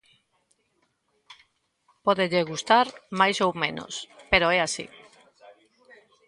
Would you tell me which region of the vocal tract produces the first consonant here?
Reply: lips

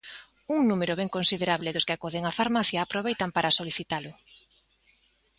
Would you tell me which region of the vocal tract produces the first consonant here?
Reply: velum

